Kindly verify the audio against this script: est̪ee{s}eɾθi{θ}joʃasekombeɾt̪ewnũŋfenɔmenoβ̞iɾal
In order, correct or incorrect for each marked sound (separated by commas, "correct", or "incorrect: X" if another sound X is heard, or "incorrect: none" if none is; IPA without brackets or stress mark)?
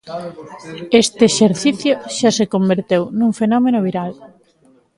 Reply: incorrect: ʃ, correct